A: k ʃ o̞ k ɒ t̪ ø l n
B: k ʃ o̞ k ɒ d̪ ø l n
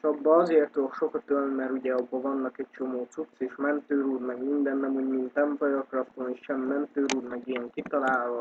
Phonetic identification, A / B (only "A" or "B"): A